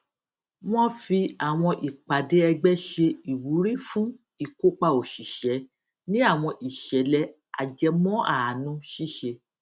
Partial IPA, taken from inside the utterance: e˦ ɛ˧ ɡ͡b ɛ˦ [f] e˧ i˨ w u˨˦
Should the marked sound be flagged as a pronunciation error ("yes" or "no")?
yes